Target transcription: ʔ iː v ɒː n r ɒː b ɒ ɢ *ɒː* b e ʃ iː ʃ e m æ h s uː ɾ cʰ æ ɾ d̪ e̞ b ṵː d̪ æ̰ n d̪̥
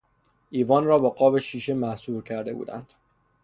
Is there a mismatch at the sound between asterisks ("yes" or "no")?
no